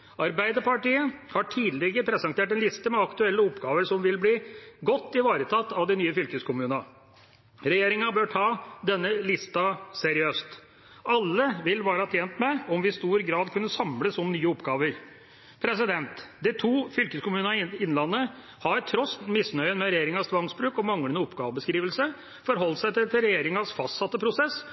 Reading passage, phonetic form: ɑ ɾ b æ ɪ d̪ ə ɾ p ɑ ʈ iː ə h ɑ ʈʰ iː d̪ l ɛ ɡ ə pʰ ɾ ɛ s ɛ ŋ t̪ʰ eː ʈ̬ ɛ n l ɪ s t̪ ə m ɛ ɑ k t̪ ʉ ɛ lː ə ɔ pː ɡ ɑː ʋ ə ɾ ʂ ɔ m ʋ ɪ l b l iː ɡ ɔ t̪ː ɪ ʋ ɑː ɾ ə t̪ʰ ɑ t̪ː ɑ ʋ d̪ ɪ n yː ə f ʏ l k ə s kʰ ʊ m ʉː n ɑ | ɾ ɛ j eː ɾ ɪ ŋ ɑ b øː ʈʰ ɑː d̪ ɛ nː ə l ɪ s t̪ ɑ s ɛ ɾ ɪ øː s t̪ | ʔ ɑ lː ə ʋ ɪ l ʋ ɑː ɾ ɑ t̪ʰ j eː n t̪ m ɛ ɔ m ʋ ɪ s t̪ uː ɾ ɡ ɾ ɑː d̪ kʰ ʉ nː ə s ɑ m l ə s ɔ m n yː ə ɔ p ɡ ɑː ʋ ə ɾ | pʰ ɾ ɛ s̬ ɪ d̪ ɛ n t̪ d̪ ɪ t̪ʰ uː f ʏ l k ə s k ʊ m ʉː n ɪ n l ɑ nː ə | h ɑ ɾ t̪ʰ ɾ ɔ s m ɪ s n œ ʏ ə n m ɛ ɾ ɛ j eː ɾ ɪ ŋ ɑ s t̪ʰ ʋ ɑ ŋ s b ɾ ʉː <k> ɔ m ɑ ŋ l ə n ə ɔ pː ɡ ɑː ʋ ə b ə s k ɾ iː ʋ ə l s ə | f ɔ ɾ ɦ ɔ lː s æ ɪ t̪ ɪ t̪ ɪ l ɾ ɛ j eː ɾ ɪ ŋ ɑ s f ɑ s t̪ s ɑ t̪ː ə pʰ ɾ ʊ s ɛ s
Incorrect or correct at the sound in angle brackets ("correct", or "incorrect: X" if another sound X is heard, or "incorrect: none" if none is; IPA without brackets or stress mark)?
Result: correct